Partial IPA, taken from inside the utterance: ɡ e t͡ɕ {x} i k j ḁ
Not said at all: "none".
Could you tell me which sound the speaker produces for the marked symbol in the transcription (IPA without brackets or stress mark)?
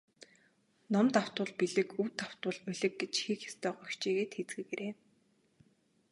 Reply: x